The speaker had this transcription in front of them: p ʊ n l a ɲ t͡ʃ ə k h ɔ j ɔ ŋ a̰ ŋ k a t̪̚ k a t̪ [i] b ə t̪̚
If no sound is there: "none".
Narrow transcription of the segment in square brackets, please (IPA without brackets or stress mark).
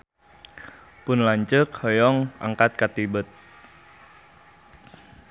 i